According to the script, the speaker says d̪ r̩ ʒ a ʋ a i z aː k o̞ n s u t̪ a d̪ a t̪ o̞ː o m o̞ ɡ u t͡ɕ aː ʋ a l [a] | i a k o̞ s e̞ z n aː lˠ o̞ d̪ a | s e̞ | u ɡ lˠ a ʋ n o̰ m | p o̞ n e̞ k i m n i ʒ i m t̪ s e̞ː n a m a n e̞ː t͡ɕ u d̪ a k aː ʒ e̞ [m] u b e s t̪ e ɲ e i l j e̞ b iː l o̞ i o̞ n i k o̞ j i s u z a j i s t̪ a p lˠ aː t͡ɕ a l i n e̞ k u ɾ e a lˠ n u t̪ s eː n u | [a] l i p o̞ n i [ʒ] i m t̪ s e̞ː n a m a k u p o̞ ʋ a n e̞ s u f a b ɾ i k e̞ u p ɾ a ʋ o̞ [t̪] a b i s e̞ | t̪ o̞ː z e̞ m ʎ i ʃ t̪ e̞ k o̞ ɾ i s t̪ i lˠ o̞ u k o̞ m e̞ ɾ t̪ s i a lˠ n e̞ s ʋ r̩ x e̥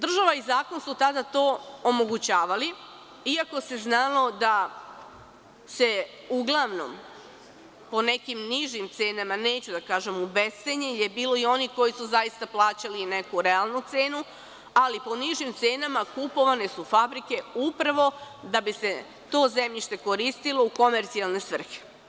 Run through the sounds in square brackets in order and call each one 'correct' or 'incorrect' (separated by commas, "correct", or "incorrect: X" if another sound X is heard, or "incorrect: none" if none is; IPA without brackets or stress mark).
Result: incorrect: i, correct, correct, correct, incorrect: d̪